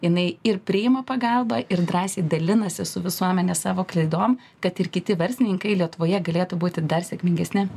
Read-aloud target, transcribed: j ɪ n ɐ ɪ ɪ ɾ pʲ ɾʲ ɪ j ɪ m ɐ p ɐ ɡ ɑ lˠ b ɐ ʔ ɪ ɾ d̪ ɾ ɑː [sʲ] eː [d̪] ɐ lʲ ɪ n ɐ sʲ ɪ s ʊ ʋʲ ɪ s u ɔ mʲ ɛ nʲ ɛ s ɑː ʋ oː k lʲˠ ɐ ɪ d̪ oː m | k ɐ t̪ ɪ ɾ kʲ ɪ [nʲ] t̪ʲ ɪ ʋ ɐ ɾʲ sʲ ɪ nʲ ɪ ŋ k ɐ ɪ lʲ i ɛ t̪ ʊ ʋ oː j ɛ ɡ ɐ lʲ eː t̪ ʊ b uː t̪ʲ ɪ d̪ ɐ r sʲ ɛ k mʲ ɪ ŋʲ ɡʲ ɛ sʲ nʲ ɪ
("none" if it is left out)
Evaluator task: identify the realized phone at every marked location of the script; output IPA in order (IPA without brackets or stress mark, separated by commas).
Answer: sʲ, d̪, none